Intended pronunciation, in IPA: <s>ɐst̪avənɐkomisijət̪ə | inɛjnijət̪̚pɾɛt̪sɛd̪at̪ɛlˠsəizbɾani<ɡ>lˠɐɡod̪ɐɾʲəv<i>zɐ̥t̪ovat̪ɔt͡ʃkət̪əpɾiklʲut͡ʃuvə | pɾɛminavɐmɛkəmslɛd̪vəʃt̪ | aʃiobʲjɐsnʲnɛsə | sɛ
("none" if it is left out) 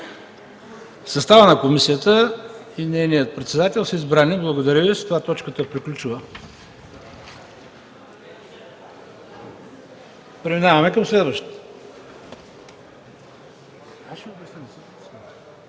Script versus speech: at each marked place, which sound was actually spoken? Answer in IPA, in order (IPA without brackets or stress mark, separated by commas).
s, b, i